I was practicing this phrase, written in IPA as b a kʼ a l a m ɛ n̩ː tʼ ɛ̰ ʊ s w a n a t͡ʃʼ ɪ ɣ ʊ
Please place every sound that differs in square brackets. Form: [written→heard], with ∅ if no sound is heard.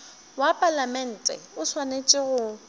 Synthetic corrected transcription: [b→w] a [kʼ→pʼ] a l a m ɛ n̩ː tʼ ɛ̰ ʊ s w a n [a→e] t͡ʃʼ ɪ ɣ ʊ